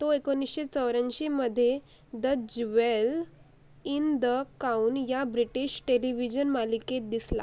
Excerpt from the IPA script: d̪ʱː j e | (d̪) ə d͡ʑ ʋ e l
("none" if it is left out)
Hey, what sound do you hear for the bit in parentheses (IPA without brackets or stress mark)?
d̪